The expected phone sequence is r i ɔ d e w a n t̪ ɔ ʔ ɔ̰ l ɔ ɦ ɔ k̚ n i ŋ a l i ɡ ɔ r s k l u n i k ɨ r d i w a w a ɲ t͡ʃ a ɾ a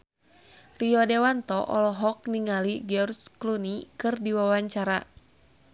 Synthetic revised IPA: r i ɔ d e w a n t̪ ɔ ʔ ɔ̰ l ɔ ɦ ɔ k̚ n i ŋ a l i ɡ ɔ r s k l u n i k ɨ r d i w a w a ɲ t͡ʃ a ɾ a

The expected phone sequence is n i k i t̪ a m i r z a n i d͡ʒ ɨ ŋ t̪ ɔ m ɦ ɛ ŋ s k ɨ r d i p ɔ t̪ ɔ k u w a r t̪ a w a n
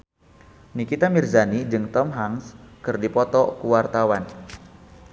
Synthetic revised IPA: n i k i t̪ a m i r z a n i d͡ʒ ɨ ŋ t̪ ɔ m ɦ a ŋ s k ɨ r d i p ɔ t̪ ɔ k u w a r t̪ a w a n

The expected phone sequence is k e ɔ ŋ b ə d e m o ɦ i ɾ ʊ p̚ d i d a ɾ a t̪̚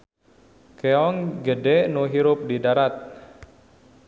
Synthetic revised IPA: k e ɔ ŋ ɡ ə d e n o ɦ i ɾ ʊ p̚ d i d a ɾ a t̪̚

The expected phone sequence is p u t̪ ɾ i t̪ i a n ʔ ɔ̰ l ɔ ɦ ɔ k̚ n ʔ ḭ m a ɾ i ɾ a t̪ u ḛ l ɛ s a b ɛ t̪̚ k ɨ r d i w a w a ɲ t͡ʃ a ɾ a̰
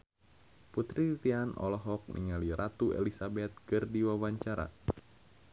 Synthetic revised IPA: p u t̪ ɾ i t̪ i a n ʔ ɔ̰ l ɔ ɦ ɔ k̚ n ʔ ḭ ŋ a l i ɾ a t̪ u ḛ l i s a b ɛ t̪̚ k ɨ r d i w a w a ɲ t͡ʃ a ɾ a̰

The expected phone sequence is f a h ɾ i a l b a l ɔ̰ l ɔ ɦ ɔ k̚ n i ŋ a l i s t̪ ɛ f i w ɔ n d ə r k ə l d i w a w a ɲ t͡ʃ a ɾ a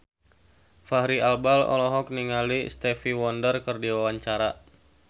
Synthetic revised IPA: f a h ɾ i a l b a l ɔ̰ l ɔ ɦ ɔ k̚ n i ŋ a l i s t̪ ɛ f i w ɔ n d ə r k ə r d i w a w a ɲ t͡ʃ a ɾ a

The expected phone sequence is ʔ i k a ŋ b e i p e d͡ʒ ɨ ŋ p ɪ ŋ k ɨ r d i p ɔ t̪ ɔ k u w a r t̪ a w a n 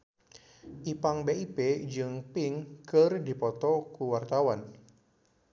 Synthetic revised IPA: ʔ i p a ŋ b e i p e d͡ʒ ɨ ŋ p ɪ ŋ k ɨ r d i p ɔ t̪ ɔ k u w a r t̪ a w a n

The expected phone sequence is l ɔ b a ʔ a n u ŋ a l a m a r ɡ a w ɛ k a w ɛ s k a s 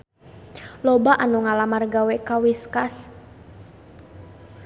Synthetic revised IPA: l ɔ b a ʔ a n u ŋ a l a m a r ɡ a w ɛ k a w i s k a s

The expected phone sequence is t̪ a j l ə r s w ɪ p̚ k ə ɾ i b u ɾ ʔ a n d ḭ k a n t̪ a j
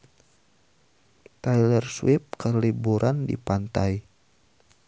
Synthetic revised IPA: t̪ a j l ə r s w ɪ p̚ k ə l i b u ɾ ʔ a n d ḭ p a n t̪ a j

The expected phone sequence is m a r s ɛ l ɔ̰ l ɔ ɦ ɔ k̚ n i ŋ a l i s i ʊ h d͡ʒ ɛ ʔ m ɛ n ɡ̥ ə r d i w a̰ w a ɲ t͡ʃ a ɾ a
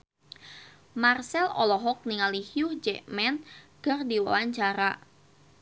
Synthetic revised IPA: m a r s ɛ l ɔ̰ l ɔ ɦ ɔ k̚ n i ŋ a l i h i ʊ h d͡ʒ ɛ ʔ m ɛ n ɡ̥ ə r d i w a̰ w a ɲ t͡ʃ a ɾ a

